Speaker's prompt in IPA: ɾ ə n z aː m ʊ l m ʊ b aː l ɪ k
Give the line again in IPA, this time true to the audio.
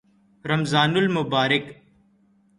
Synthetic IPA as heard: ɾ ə m z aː n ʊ l m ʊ b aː ɾ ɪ k